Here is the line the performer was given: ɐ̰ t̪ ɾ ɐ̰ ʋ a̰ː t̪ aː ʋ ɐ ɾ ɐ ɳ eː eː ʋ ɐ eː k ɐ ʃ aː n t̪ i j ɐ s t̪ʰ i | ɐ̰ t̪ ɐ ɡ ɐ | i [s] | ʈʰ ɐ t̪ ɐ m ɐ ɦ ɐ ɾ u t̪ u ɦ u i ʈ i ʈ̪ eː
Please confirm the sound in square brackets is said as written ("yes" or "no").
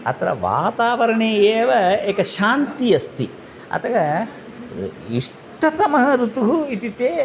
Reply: no